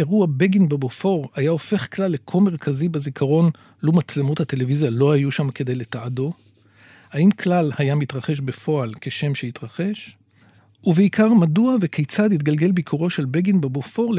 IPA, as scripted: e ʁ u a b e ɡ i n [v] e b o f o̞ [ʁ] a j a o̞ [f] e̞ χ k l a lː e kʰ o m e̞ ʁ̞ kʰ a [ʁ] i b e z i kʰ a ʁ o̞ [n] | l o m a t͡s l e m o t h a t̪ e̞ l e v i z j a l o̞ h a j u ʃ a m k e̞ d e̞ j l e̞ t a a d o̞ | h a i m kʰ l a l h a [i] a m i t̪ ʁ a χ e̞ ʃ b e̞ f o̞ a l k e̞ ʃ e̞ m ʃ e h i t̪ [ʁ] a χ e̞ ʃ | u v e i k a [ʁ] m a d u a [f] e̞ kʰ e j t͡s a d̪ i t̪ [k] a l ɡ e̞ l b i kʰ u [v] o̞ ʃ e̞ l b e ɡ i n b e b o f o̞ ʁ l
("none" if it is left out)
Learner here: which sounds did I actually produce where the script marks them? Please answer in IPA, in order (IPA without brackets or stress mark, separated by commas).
b, ʁ, f, z, n, j, ʁ, ʁ, v, ɡ, ʁ